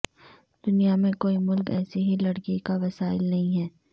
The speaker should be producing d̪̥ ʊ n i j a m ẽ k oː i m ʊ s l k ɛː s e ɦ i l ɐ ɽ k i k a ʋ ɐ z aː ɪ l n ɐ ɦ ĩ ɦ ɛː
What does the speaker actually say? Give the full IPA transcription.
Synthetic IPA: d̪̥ ʊ n i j a m ẽ k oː i m ʊ l k ɛː s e ɦ i l ɐ ɽ k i k a ʋ ɐ s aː ɪ l n ɐ ɦ ĩ ɦ ɛː